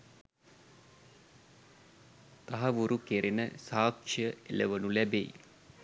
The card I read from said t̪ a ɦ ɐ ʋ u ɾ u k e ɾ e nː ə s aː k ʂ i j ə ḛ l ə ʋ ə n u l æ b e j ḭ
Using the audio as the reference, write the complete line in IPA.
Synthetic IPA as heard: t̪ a ɦ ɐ ʋ u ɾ u k e ɾ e n ə s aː k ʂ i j ə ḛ l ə ʋ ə n u l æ b e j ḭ